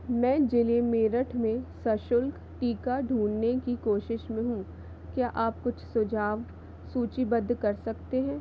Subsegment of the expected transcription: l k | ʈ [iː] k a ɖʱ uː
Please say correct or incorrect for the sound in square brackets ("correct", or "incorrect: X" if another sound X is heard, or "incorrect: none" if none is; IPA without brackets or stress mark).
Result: correct